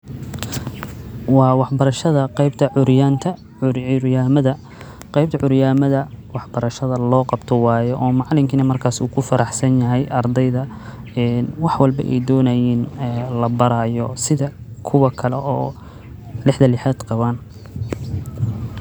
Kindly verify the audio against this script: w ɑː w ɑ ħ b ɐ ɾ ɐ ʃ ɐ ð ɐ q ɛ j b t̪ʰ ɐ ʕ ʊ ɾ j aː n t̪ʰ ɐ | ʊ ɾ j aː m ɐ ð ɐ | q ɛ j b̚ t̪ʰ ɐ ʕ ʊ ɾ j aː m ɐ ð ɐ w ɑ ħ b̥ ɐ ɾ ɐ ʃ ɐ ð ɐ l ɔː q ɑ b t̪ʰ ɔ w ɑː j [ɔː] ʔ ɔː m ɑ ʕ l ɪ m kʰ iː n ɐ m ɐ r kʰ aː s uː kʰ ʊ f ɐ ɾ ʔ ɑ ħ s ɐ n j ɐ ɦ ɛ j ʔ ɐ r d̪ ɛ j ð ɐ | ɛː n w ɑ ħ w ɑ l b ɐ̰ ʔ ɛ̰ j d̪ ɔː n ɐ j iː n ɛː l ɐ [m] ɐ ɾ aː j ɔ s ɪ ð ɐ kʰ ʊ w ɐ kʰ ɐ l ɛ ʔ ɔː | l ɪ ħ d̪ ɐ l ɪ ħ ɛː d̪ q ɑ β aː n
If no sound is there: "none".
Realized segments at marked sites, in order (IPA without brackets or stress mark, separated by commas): ɔ, b